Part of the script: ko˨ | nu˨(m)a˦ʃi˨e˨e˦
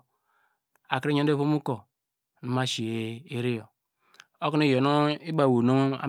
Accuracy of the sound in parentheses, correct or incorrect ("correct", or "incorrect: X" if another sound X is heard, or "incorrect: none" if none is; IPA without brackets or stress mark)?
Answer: correct